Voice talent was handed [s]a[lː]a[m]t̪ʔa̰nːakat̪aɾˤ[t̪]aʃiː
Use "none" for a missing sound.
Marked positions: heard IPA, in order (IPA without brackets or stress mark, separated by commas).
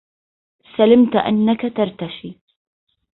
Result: s, l, m, t̪